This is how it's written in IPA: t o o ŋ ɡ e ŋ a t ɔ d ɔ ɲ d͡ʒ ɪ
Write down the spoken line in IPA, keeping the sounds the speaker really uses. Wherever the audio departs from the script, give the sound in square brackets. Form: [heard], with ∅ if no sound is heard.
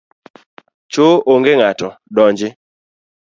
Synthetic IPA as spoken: [t͡ʃ] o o ŋ ɡ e ŋ a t ɔ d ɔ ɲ d͡ʒ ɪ